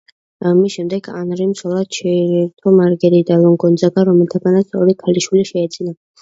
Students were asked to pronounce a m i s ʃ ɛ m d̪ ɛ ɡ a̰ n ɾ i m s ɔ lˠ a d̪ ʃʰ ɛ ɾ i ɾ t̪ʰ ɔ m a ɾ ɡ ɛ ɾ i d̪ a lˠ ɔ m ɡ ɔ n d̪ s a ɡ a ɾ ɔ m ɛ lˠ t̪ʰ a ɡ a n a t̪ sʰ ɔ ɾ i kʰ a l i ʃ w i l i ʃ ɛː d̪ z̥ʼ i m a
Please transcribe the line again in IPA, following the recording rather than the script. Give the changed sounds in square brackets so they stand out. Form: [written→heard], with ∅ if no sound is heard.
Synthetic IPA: a m i s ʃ ɛ m d̪ ɛ ɡ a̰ n ɾ i m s ɔ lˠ a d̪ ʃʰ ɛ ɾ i ɾ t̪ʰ ɔ m a ɾ ɡ ɛ ɾ i d̪ a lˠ ɔ [m→ŋ] ɡ ɔ n d̪ [s→z] a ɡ a ɾ ɔ m ɛ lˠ t̪ʰ a ɡ a n a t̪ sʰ ɔ ɾ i kʰ a l i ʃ w i l i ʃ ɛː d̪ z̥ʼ i [m→n] a